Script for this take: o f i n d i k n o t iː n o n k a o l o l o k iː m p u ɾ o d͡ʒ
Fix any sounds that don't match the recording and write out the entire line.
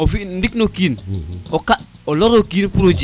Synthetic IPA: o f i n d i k n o k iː n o k a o l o ɾ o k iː n p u ɾ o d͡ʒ